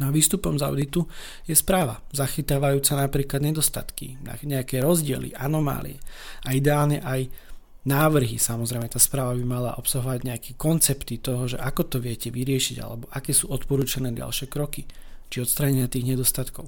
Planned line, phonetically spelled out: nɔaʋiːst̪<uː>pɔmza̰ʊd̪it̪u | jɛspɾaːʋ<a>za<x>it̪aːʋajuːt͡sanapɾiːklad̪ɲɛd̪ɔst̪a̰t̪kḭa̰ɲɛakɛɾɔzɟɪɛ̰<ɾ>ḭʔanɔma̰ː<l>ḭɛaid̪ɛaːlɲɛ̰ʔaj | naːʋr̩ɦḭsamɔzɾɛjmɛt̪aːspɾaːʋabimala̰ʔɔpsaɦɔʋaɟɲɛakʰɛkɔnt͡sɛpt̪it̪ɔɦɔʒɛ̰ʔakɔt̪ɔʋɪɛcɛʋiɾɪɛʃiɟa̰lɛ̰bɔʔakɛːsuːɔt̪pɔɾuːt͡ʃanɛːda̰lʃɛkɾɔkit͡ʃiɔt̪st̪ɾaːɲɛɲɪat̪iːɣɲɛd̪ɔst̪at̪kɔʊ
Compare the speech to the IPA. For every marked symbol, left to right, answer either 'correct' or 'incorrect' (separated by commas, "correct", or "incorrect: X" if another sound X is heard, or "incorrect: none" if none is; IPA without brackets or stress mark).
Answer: incorrect: u, correct, correct, incorrect: l, correct